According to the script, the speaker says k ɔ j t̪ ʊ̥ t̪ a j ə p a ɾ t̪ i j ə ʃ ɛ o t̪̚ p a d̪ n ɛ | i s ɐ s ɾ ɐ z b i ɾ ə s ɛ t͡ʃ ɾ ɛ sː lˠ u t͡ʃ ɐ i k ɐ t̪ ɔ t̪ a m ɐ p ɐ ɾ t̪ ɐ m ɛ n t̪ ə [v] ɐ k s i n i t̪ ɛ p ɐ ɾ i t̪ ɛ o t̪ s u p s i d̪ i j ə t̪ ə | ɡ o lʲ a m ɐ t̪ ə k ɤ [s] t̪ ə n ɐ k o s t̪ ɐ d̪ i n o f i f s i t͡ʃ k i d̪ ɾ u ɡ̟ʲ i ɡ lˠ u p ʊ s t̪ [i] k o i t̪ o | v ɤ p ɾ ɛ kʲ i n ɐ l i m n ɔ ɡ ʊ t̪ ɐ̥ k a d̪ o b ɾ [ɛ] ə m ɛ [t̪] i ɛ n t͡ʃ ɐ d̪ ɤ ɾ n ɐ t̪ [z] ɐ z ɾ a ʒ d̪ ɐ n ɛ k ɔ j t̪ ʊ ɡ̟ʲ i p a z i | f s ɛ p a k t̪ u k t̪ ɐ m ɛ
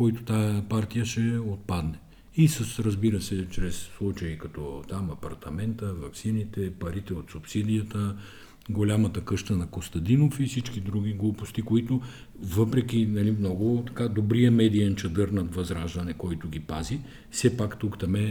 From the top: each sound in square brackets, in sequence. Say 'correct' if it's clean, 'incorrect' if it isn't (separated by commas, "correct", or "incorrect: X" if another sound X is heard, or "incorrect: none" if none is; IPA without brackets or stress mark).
correct, incorrect: ʃ, correct, incorrect: i, incorrect: d̪, incorrect: v